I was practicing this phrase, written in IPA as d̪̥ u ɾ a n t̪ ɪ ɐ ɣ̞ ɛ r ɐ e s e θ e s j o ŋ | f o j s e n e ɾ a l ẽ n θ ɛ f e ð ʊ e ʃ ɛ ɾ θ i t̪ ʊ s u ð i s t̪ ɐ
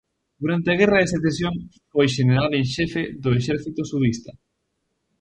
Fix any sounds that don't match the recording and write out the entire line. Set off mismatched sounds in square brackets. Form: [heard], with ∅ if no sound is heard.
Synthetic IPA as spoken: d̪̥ u ɾ a n t̪ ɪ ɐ ɣ̞ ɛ r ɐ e s e θ e s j o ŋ | f o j [ʃ] e n e ɾ a l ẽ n [ʃ] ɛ f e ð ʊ e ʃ ɛ ɾ θ i t̪ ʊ s u ð i s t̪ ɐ